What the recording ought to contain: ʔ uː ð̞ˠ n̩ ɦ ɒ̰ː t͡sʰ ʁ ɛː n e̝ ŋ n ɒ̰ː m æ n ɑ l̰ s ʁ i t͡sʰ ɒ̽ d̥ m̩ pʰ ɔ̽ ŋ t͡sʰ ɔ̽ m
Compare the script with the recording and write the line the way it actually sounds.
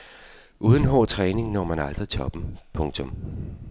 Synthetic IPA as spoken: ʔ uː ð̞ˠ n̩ ɦ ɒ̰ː t͡sʰ ʁ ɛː n e̝ ŋ n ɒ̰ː m æ n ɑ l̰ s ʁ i t͡sʰ ɒ̽ b̥ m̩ pʰ ɔ̽ ŋ t͡sʰ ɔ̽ m